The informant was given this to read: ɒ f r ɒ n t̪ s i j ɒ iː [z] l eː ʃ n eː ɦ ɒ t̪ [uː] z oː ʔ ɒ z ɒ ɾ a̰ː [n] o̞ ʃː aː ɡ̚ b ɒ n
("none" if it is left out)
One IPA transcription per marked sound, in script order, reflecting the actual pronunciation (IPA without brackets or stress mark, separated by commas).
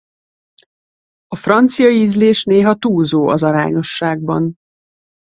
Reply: z, uː, ɲ